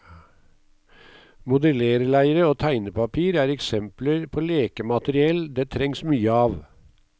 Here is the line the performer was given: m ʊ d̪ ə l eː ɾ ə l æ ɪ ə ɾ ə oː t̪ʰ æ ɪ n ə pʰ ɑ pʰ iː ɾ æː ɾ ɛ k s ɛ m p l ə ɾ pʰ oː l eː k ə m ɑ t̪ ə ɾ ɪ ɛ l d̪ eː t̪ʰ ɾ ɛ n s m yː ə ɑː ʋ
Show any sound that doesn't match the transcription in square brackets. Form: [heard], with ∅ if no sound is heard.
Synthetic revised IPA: m ʊ d̪ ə l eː ɾ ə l æ ɪ ə ɾ ə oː t̪ʰ æ ɪ n ə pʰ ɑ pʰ iː ɾ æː ɾ ɛ k s ɛ m p l ə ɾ pʰ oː l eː k ə m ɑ t̪ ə ɾ ɪ ɛ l d̪ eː t̪ʰ ɾ ɛ [ŋ] s m yː ə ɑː ʋ